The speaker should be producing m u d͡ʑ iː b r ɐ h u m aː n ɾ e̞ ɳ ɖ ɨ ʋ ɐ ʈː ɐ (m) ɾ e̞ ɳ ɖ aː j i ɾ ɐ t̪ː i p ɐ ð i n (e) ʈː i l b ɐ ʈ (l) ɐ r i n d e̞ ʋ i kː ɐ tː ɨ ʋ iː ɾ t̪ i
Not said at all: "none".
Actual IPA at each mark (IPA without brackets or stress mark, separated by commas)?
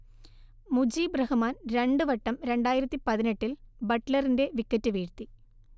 m, e, l